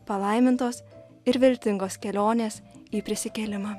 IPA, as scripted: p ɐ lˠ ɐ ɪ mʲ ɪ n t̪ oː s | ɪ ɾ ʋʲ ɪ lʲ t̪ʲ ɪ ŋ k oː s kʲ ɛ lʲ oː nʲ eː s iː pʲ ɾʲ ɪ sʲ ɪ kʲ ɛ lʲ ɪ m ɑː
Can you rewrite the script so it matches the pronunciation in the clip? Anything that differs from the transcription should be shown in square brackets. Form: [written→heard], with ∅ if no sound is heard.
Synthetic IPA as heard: p ɐ lˠ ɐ ɪ mʲ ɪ n t̪ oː s | ɪ ɾ ʋʲ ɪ lʲ t̪ʲ ɪ ŋ [k→ɡ] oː s kʲ ɛ lʲ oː nʲ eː s iː pʲ ɾʲ ɪ sʲ ɪ kʲ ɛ lʲ ɪ m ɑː